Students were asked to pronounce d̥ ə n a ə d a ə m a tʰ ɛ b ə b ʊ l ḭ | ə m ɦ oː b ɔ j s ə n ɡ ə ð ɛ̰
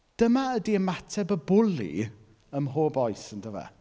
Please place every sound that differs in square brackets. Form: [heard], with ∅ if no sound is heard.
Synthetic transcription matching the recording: d̥ ə [m] a ə d [i] ə m a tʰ ɛ b ə b ʊ l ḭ | ə m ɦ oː b ɔ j s ə n [d] ə [v] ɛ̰

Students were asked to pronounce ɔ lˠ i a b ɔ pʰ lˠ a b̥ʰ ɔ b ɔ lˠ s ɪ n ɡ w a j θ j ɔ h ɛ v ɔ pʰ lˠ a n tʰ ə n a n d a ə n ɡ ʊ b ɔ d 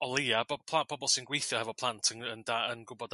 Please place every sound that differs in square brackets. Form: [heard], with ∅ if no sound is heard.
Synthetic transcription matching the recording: ɔ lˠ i a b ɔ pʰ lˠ a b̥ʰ ɔ b ɔ lˠ s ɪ n ɡ w [e] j θ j ɔ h ɛ v ɔ pʰ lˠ a n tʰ ə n [ə] n d a ə n ɡ ʊ b ɔ d

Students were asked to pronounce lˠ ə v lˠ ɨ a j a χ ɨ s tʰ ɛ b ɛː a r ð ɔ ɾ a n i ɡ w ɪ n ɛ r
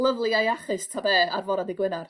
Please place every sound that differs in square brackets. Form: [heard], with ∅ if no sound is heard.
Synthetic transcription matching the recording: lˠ ə v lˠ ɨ a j a χ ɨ s tʰ [a] b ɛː a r [v] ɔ ɾ a [d] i ɡ w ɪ n [a] r

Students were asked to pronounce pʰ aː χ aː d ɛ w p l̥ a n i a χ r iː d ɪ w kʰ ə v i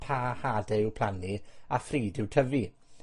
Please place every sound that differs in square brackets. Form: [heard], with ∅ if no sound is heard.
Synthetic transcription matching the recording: pʰ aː [h] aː d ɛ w [pʰ] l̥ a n i a [f] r iː d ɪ w [tʰ] ə v i

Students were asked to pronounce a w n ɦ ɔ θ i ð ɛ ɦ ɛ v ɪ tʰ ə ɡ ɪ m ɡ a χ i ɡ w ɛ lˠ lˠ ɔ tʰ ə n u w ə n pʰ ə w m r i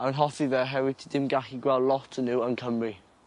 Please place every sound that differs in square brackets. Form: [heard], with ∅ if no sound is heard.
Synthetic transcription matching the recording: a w n ɦ ɔ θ i ð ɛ ɦ ɛ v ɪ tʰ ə [d] ɪ m ɡ a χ i ɡ w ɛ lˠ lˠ ɔ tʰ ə n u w ə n [kʰ] ə [∅] m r i

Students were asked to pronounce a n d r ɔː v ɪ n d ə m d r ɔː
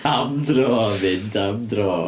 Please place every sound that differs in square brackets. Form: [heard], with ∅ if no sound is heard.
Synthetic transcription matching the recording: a [m] d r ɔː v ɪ n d [a] m d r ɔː

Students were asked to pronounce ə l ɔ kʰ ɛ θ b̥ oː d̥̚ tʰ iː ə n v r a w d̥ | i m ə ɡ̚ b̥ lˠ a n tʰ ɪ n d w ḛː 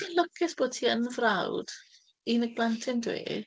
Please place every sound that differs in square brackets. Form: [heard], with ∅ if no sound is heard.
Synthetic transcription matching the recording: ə l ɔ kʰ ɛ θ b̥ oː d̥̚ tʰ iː ə n v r a w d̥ | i [n] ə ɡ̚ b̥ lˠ a n tʰ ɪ n d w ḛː

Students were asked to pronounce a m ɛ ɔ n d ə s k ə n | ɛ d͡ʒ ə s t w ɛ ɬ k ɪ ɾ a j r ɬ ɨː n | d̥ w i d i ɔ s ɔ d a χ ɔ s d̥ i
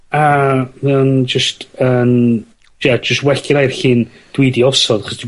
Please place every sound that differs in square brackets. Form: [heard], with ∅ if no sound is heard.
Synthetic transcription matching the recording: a m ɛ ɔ n [d͡ʒ] ə s [t] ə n | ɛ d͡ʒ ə s t w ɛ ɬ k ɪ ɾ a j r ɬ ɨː n | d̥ w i d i ɔ s ɔ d a χ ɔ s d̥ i

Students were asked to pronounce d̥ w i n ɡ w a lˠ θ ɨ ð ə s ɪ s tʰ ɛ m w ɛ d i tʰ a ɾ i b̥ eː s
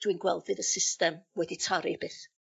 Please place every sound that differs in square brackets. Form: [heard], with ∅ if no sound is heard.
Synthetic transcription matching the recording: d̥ w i n ɡ w [ɛ] lˠ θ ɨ ð ə s ɪ s [t] ɛ m w ɛ d i tʰ a ɾ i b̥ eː [θ]

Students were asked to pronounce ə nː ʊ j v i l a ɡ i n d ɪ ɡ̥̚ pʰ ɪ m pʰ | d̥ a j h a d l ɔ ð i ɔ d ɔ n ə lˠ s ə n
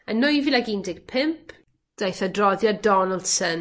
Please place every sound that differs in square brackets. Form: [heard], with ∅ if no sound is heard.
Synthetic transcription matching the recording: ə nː ʊ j v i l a ɡ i n d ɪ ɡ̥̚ pʰ ɪ m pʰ | d̥ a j [θ] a d [r] ɔ ð [j] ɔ d ɔ n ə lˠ s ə n

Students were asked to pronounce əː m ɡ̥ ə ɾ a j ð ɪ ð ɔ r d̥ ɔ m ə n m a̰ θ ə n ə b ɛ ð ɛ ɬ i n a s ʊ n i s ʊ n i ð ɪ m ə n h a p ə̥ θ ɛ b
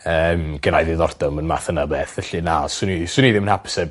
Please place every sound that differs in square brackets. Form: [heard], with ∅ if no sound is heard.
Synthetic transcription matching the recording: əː m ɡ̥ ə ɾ a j ð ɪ ð ɔ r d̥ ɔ m ə n m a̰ θ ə n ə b ɛ [θ] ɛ ɬ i n a s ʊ n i s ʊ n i ð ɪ m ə n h a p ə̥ [s] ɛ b

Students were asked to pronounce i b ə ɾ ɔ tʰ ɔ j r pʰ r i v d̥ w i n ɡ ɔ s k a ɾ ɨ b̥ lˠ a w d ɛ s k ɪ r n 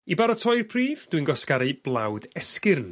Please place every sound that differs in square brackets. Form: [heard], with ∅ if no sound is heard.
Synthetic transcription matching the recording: i b [a] ɾ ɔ tʰ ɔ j r pʰ r [iː] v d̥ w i n ɡ ɔ s k a ɾ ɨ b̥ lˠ a w d ɛ s k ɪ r n

